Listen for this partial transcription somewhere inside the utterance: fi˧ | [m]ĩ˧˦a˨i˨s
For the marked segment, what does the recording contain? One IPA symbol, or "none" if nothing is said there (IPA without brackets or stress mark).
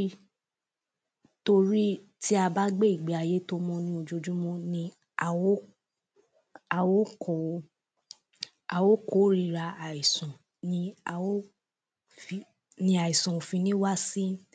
n